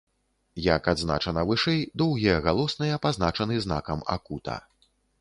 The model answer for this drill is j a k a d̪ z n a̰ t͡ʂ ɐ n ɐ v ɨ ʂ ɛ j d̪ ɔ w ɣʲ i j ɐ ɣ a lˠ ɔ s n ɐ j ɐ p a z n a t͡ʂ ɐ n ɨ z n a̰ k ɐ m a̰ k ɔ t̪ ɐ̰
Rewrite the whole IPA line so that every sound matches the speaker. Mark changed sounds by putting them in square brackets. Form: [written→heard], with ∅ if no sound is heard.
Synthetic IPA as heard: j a k a d̪ z n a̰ t͡ʂ ɐ n ɐ v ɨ ʂ ɛ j d̪ ɔ w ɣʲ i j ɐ ɣ a lˠ ɔ s n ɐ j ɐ p a z n a t͡ʂ ɐ n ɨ z n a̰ k ɐ m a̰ k [ɔ→u] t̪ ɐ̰